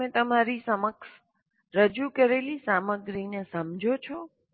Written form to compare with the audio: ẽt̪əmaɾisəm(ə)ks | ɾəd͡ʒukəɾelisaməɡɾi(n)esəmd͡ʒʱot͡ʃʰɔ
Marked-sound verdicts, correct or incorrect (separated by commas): correct, correct